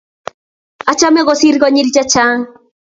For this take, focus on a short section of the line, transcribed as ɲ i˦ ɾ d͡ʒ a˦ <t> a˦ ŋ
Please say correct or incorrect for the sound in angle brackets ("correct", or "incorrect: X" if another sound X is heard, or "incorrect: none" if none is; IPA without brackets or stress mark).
incorrect: t͡ʃ